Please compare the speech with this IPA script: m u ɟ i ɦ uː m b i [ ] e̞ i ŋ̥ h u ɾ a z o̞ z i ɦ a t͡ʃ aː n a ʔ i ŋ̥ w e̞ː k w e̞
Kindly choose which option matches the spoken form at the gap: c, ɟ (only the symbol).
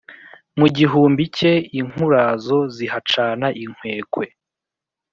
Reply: c